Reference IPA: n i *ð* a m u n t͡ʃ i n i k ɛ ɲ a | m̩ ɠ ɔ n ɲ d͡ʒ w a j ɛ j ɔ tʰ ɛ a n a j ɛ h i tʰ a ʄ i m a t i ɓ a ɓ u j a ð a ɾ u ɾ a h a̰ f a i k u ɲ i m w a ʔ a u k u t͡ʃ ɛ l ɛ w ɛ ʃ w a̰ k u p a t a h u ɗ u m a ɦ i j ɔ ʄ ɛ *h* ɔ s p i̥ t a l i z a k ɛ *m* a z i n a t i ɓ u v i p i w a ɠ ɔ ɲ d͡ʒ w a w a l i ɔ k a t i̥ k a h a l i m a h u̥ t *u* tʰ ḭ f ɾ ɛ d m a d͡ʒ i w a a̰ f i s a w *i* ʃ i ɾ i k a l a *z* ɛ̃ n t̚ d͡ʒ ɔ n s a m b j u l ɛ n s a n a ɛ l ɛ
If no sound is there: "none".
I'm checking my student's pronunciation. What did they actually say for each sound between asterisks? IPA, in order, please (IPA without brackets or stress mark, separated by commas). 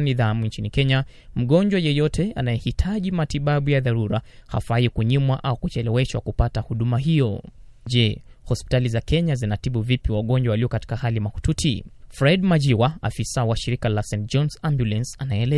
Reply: ð, h, ɲ, u, a, s